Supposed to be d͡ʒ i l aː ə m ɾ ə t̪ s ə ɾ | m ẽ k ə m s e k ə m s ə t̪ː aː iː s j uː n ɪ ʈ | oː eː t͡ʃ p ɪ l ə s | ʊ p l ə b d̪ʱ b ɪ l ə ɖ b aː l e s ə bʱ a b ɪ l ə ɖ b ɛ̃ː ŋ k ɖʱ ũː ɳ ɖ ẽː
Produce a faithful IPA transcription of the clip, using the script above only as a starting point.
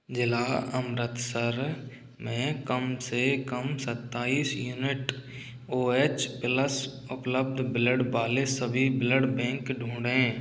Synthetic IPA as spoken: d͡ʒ ɪ l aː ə m ɾ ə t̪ s ə ɾ | m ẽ k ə m s e k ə m s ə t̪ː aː iː s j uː n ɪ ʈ | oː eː t͡ʃ p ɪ l ə s | ʊ p l ə b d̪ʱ b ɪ l ə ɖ b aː l e s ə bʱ i b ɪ l ə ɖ b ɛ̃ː ŋ k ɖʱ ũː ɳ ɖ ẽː

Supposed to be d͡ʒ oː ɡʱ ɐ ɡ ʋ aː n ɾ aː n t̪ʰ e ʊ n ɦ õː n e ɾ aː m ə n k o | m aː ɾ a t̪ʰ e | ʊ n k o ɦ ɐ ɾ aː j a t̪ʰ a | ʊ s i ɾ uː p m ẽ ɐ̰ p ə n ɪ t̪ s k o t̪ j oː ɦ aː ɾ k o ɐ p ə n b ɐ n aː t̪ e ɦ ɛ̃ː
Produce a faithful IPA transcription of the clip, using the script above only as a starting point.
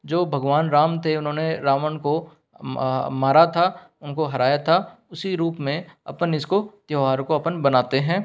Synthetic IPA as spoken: d͡ʒ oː bʱ ɐ ɡ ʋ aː n ɾ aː m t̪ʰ e ʊ n ɦ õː n e ɾ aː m ə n k o | m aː ɾ a t̪ʰ a | ʊ n k o ɦ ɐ ɾ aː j a t̪ʰ a | ʊ s i ɾ uː p m ẽ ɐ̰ p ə n ɪ s k o t̪ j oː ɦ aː ɾ k o ɐ p ə n b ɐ n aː t̪ e ɦ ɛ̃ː

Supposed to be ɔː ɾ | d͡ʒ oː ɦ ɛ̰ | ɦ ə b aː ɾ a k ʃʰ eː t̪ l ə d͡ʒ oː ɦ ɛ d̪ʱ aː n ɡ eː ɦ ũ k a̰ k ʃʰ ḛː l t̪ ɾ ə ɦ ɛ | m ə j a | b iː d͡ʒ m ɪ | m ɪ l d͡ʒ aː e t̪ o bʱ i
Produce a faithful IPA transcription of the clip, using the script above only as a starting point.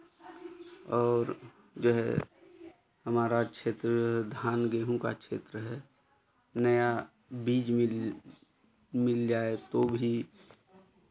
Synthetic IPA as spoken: ɔː ɾ | d͡ʒ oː ɦ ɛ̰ | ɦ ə m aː ɾ a k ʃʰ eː t̪ ɾ ə d͡ʒ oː ɦ ɛ d̪ʱ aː n ɡ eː ɦ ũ k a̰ k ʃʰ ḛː t̪ ɾ ə ɦ ɛ | n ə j a | b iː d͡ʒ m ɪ | m ɪ l d͡ʒ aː e t̪ o bʱ i

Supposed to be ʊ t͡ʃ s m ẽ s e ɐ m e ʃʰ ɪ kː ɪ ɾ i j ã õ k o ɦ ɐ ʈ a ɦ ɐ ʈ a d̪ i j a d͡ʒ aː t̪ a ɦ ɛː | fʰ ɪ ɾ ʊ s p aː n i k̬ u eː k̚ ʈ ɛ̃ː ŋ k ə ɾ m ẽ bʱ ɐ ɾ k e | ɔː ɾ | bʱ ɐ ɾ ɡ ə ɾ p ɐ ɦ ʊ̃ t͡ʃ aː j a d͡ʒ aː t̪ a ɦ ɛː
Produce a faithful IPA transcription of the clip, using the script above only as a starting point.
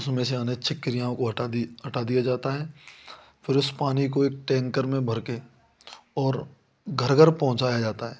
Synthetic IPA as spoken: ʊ s m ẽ s e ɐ n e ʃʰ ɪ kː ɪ ɾ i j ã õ k o ɦ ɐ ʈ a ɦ ɐ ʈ a d̪ i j a d͡ʒ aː t̪ a ɦ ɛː | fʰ ɪ ɾ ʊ s p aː n i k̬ o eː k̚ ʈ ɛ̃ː ŋ k ə ɾ m ẽ bʱ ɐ ɾ k e | ɔː ɾ | ɡʱ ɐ ɾ ɡ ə ɾ p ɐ ɦ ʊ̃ t͡ʃ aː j a d͡ʒ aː t̪ a ɦ ɛː

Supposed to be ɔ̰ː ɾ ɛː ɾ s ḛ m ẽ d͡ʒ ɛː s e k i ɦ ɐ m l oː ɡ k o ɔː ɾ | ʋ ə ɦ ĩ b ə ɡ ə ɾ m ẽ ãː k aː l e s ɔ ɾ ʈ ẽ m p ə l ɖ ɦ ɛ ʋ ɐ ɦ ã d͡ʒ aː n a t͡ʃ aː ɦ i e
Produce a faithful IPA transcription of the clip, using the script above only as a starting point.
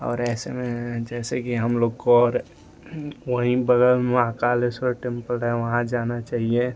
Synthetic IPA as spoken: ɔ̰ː ɾ ɛː s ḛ m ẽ d͡ʒ ɛː s e k i ɦ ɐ m l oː ɡ k o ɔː ɾ | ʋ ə ɦ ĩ b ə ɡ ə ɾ m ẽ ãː k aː l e s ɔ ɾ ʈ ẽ m p ə l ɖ ɦ ɛ ʋ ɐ ɦ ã d͡ʒ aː n a t͡ʃ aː ɦ i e

